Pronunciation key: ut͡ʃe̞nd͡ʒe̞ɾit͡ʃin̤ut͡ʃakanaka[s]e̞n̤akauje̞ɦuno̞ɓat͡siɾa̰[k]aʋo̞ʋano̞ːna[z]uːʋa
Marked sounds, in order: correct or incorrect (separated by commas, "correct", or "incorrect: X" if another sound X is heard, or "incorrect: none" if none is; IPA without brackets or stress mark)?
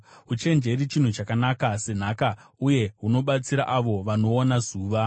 correct, incorrect: ʔ, correct